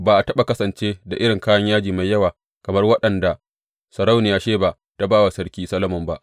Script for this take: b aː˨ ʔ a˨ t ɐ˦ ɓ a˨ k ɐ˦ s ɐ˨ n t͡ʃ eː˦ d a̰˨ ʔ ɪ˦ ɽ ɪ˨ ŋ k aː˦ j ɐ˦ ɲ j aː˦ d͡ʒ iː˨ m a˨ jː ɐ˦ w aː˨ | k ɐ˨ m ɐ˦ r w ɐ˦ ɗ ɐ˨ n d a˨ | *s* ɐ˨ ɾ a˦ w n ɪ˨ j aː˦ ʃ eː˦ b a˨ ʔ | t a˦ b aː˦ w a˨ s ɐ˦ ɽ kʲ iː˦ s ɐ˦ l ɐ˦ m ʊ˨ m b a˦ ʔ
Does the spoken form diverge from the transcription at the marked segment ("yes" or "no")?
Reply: no